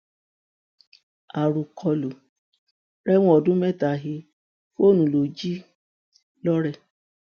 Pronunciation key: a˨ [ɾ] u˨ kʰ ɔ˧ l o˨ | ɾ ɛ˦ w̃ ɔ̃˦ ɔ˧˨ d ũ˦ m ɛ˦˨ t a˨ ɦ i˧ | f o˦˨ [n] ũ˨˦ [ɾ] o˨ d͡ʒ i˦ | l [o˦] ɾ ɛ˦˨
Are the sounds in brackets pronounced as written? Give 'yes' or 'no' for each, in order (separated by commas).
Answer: yes, yes, no, no